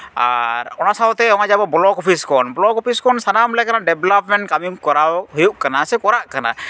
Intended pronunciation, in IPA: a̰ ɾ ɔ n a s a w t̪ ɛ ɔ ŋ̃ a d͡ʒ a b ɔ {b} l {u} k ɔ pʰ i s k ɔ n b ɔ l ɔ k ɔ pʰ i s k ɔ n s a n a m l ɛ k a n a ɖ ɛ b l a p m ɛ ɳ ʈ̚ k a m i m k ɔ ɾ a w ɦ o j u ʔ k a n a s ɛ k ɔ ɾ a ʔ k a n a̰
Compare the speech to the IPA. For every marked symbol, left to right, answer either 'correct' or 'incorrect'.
correct, incorrect

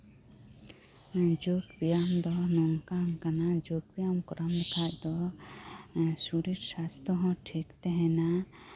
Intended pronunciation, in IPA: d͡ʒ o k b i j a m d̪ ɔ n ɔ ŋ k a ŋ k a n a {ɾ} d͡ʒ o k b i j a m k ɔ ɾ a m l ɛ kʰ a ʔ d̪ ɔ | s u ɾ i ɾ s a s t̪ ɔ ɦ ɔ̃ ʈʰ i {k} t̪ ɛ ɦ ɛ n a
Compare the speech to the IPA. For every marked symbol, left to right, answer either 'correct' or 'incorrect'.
incorrect, correct

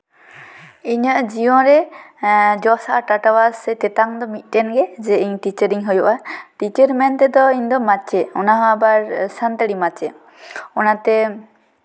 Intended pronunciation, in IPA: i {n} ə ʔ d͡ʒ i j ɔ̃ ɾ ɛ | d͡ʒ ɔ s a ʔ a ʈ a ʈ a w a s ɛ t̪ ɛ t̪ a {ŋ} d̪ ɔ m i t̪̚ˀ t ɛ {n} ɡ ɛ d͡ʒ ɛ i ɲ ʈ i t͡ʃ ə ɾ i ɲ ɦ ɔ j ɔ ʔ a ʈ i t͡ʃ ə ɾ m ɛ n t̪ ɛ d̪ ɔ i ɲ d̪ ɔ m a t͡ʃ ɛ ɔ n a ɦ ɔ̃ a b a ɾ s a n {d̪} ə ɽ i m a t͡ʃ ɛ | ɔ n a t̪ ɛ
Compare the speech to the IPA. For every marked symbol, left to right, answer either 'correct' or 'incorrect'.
incorrect, correct, correct, incorrect

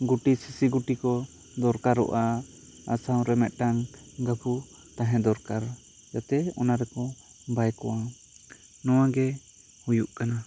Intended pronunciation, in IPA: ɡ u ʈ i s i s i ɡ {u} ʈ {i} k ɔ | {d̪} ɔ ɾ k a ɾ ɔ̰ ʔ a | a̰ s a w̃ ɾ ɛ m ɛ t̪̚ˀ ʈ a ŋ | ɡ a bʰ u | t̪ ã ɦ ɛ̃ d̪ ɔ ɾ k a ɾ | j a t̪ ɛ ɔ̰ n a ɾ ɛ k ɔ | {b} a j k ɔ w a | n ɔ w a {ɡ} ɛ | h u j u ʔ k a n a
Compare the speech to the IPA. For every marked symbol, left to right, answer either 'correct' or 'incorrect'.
correct, correct, correct, correct, correct

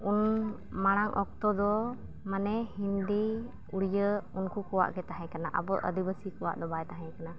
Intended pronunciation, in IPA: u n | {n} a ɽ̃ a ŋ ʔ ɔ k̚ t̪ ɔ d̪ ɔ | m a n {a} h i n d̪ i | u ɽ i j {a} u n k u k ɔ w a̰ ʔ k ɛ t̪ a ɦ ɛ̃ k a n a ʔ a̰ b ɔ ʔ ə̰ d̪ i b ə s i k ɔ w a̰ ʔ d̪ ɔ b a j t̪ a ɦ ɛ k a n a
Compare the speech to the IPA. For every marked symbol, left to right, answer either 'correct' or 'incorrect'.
incorrect, incorrect, incorrect

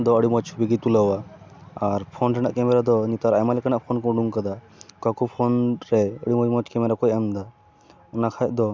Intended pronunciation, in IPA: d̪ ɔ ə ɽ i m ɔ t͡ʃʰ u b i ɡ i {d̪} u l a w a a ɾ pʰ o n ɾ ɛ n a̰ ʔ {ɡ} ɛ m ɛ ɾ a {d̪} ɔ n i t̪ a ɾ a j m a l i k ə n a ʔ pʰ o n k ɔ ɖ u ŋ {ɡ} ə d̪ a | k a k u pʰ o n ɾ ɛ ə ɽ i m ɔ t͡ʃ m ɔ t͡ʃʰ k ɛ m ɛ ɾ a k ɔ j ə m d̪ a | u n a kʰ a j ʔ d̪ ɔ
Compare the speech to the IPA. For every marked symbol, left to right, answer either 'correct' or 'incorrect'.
incorrect, incorrect, correct, incorrect

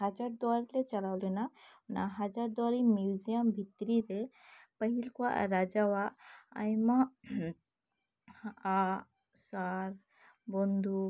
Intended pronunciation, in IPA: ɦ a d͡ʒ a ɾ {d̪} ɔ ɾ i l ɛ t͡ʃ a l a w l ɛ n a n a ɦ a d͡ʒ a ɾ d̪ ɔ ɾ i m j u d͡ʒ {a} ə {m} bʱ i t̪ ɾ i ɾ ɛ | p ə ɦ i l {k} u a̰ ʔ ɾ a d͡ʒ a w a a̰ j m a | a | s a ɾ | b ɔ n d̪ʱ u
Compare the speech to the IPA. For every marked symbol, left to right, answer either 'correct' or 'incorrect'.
correct, incorrect, correct, correct

